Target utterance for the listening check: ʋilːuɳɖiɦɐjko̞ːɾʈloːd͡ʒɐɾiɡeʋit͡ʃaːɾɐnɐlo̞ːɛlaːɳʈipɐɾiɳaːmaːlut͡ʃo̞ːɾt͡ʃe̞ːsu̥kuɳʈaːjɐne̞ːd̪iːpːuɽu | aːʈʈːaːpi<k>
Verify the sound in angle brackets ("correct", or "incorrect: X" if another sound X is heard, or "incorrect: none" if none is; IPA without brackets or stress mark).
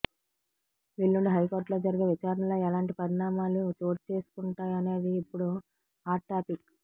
correct